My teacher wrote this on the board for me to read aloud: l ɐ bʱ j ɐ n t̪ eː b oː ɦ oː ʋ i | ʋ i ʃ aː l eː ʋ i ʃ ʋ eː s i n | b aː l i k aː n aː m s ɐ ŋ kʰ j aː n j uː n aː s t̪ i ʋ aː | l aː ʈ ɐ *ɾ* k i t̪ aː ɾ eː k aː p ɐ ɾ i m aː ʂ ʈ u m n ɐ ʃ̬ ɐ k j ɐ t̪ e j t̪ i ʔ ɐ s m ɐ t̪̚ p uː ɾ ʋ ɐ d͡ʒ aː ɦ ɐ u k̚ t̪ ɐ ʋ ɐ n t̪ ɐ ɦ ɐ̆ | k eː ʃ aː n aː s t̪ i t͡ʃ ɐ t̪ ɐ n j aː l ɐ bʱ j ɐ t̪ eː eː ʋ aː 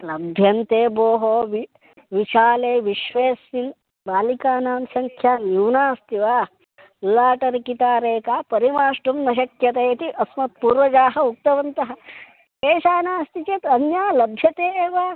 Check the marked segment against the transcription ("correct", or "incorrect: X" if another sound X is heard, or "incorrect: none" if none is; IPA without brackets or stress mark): correct